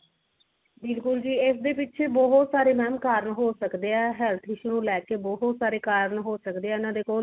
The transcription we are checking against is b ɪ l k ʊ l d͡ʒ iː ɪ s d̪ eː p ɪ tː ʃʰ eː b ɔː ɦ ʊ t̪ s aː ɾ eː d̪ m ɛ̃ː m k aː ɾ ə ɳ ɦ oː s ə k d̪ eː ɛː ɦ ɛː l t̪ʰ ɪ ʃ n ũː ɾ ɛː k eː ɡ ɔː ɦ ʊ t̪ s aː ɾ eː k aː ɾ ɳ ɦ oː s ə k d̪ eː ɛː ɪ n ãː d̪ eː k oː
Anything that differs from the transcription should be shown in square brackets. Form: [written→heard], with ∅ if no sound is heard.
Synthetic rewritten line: b ɪ l k ʊ l d͡ʒ iː ɪ s d̪ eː p ɪ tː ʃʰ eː b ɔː ɦ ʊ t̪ s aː ɾ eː [d̪→∅] m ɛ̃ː m k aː ɾ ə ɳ ɦ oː s ə k d̪ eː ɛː ɦ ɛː l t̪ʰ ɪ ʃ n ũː [ɾ→l] ɛː k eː [ɡ→b] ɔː ɦ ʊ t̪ s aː ɾ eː k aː ɾ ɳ ɦ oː s ə k d̪ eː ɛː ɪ n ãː d̪ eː k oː